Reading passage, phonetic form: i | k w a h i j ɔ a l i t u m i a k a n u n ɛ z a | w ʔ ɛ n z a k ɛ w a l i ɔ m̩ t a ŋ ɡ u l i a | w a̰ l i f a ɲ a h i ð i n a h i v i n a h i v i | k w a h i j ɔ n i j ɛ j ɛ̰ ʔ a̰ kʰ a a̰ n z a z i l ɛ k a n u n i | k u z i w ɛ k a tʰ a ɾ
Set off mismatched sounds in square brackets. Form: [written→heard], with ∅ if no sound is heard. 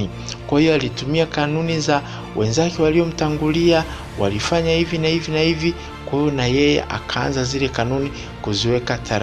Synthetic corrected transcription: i | k w a h i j ɔ a l i t u m i a k a n u n [ɛ→i] z a | w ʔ ɛ n z a k ɛ w a l i ɔ m̩ t a ŋ ɡ u l i a | w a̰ l i f a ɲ a h i [ð→v] i n a h i v i n a h i v i | k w a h i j ɔ n [i→a] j ɛ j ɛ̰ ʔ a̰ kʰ a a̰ n z a z i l ɛ k a n u n i | k u z i w ɛ k a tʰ a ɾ